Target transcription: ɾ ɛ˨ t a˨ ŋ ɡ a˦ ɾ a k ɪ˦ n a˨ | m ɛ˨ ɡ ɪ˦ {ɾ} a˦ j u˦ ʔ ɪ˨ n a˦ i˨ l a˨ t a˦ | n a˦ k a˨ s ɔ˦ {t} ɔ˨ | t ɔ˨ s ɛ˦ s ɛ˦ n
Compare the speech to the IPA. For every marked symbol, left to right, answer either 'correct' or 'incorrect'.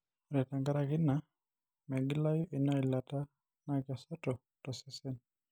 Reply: incorrect, correct

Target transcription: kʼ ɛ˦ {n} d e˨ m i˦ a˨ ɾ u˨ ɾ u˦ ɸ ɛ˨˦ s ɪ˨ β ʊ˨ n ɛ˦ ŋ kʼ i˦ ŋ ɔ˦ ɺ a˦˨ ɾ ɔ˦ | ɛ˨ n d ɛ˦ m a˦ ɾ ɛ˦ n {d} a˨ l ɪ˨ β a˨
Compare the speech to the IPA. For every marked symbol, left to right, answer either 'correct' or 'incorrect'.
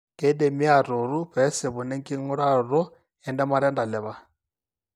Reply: incorrect, correct

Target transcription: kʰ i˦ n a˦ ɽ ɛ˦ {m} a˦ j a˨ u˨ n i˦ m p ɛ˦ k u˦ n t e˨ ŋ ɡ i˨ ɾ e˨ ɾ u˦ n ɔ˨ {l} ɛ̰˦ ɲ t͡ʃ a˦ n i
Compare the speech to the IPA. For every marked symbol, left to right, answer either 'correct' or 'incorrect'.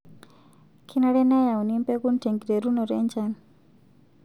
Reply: incorrect, incorrect

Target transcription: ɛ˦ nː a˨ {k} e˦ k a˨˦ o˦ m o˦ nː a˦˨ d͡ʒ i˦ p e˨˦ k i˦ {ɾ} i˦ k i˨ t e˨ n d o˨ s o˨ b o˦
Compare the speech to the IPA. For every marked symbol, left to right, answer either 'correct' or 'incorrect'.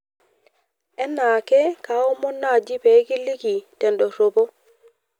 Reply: correct, incorrect

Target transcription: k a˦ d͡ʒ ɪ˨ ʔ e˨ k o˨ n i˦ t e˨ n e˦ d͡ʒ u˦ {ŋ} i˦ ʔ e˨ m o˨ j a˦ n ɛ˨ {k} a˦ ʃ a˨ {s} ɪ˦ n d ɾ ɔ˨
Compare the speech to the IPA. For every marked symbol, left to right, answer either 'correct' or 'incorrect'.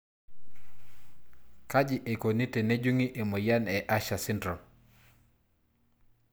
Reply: correct, incorrect, correct

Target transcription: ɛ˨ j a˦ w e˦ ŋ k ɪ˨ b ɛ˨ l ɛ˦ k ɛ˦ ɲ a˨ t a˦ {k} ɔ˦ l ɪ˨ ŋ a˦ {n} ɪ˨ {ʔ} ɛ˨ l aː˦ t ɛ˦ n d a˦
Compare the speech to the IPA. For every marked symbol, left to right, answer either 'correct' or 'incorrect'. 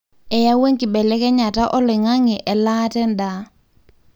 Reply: incorrect, incorrect, correct

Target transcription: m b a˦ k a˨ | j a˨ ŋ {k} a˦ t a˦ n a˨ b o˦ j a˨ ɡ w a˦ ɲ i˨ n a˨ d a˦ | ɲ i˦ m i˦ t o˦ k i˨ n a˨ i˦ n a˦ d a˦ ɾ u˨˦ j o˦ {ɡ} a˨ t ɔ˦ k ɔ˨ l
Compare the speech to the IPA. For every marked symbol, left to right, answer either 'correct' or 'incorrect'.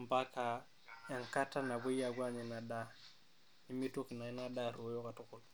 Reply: correct, incorrect

